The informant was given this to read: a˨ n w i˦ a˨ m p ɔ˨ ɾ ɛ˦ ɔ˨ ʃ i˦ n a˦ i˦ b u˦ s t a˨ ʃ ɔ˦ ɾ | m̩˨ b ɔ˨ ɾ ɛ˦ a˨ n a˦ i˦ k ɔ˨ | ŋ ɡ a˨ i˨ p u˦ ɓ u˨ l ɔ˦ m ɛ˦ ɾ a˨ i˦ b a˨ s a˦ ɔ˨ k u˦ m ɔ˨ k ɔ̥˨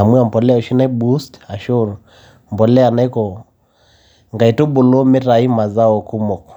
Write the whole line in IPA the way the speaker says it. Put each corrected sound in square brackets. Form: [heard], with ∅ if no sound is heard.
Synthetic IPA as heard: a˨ [m] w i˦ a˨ m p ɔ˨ [l] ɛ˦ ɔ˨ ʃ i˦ n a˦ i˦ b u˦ s t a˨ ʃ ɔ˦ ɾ | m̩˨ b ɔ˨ [l] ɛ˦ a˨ n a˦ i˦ k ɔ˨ | ŋ ɡ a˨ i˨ [t] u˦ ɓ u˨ l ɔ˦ m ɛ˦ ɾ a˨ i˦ [m] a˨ [z] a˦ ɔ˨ k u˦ m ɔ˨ k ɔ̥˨